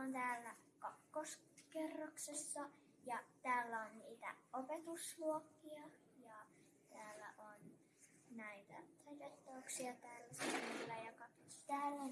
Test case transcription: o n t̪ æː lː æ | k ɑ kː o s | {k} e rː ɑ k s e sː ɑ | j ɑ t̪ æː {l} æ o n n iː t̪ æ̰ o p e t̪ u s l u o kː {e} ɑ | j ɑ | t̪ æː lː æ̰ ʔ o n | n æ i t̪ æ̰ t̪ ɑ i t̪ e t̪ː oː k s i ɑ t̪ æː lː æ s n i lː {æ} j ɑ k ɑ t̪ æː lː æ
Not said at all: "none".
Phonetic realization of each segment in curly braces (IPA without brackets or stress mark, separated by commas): k, lː, i, æ